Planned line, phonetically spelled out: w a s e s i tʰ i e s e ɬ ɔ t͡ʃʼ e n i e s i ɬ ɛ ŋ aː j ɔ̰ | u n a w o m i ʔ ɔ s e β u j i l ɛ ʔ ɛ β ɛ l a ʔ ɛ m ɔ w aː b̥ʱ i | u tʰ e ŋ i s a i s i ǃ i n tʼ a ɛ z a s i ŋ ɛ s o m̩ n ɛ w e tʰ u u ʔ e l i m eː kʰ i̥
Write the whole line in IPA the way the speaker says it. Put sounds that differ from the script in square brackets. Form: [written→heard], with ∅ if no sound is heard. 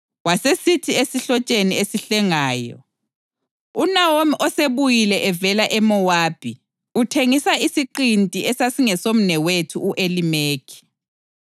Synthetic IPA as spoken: w a s e s i tʰ i e s [e→i] ɬ ɔ t͡ʃʼ e n i e s i ɬ ɛ ŋ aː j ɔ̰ | u n a w o m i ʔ ɔ s e β u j i l ɛ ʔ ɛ [β→v] ɛ l a ʔ ɛ m ɔ w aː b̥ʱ i | u tʰ e ŋ i s a i s i ǃ i n tʼ [a→i] ɛ [z→s] a s i ŋ ɛ s o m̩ n ɛ w e tʰ u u ʔ e l i m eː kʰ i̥

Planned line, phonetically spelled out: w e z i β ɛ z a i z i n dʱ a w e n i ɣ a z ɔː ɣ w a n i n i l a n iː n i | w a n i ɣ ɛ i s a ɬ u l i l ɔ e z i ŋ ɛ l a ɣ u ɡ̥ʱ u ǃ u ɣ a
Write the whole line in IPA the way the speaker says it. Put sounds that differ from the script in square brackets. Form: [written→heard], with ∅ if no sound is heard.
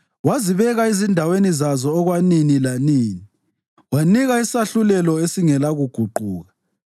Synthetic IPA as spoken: w [e→a] z i β ɛ [z→ɣ] a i z i n dʱ a w e n i [ɣ→z] a z ɔː ɣ w a n i n i l a n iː n i | w a n i ɣ [ɛ→a] i s a ɬ u l [i→ɛ] l ɔ e [z→s] i ŋ ɛ l a ɣ u ɡ̥ʱ u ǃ [u→uː] ɣ a

